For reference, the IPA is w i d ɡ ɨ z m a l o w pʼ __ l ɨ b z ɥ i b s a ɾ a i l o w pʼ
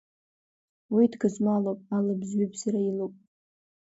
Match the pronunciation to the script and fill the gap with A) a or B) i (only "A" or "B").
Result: A